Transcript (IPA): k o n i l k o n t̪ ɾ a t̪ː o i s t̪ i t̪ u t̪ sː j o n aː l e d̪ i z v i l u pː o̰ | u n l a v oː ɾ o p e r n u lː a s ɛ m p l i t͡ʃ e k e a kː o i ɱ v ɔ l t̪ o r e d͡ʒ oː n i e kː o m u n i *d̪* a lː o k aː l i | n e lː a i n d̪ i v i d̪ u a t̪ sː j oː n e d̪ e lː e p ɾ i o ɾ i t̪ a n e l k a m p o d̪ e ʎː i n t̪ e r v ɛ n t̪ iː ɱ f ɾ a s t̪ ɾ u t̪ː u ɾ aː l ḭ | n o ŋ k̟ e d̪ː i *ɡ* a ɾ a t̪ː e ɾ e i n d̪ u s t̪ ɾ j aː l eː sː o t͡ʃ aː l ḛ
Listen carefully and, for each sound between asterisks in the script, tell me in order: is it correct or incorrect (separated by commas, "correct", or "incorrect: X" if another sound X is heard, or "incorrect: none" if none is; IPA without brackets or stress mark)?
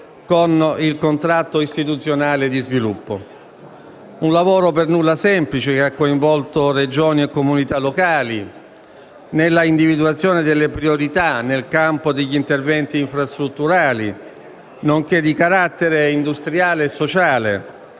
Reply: incorrect: t̪, incorrect: k